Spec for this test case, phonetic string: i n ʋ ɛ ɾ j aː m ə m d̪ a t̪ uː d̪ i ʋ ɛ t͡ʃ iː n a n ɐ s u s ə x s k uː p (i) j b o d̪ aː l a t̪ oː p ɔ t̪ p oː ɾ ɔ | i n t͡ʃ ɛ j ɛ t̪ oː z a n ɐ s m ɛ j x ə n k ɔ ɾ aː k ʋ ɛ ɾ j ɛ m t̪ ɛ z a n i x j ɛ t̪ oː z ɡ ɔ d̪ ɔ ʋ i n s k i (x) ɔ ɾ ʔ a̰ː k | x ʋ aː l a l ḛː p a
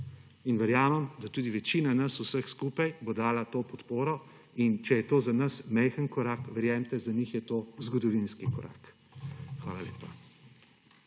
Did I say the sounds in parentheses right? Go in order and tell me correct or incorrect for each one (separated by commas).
incorrect, incorrect